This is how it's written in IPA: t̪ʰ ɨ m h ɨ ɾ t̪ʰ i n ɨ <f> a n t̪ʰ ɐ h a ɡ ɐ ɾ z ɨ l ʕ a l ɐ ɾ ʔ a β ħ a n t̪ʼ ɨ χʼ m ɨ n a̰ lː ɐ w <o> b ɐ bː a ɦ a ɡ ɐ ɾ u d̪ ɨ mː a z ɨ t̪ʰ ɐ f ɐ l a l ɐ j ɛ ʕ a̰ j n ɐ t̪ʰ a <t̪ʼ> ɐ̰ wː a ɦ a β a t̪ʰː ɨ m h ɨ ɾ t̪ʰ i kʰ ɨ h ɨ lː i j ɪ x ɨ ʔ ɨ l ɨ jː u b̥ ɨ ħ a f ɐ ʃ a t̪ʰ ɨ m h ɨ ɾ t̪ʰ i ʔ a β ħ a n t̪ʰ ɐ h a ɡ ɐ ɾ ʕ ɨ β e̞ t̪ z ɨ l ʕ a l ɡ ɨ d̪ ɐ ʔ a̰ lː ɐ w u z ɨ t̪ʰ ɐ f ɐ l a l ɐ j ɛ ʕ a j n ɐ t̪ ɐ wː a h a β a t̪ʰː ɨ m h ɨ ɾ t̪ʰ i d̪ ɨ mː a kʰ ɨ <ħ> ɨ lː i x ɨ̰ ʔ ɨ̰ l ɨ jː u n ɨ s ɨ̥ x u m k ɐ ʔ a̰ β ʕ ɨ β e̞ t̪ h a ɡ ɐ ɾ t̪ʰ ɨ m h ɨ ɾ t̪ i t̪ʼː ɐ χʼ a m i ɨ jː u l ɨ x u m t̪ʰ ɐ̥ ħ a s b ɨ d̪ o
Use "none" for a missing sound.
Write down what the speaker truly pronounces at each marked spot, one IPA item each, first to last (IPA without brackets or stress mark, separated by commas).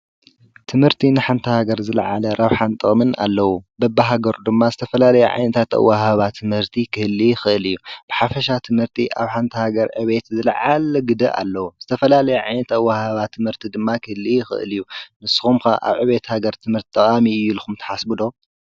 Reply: ħ, u, t̪, h